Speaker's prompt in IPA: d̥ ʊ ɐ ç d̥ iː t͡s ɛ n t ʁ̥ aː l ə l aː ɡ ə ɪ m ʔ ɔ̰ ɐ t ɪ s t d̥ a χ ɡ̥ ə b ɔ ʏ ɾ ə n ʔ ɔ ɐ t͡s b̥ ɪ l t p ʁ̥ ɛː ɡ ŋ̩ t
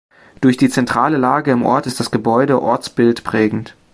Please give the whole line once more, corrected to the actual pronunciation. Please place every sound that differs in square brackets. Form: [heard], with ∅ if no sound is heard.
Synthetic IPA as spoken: d̥ ʊ ɐ ç d̥ iː t͡s ɛ n t ʁ̥ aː l ə l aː ɡ ə ɪ m ʔ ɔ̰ ɐ t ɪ s t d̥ a [s] ɡ̥ ə b ɔ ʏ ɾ ə [∅] ʔ ɔ ɐ t͡s b̥ ɪ l t p ʁ̥ ɛː ɡ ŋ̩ t